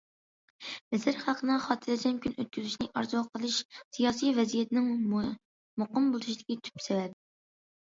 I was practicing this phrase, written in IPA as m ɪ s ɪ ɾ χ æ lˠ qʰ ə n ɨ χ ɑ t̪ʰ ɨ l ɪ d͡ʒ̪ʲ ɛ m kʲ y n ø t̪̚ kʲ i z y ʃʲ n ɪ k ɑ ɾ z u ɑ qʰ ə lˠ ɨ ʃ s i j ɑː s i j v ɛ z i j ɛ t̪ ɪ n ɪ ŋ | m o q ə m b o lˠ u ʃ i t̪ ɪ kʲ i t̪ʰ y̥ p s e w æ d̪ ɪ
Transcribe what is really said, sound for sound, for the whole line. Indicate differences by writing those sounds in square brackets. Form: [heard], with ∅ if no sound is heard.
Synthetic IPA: m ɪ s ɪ ɾ χ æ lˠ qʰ ə n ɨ χ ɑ t̪ʰ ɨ l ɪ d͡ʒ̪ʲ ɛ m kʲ y n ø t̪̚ kʲ [y] z y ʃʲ n ɪ [ʔ] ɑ ɾ z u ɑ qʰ ə lˠ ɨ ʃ s i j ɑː s i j v ɛ z i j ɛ t̪ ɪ n ɪ ŋ | m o q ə m b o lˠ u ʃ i [d̪] ɪ kʲ i t̪ʰ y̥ p s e w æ d̪ ɪ